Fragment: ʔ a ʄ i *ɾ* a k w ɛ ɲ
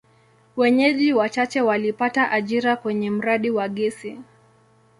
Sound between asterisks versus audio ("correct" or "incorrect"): correct